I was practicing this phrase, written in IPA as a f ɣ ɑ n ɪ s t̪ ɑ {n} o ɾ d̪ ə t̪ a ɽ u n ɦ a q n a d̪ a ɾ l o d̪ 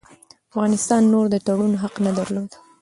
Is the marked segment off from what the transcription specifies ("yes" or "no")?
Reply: yes